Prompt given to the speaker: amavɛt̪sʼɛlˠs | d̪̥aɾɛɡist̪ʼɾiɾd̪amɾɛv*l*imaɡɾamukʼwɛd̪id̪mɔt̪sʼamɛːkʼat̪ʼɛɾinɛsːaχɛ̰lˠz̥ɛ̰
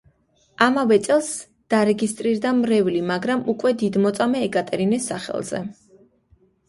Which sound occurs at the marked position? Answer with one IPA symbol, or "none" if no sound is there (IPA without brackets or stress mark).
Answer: l